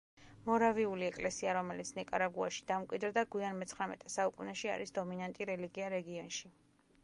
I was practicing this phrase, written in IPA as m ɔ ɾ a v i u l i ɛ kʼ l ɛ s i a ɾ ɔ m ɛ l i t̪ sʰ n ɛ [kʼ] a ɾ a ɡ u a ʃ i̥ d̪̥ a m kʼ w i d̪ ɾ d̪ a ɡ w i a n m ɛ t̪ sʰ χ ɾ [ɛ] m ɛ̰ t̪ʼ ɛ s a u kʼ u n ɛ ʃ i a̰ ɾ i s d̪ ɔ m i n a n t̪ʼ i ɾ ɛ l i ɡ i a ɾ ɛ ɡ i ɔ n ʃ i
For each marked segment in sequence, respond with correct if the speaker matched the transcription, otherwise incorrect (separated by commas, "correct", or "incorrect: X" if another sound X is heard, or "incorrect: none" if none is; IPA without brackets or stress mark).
correct, incorrect: a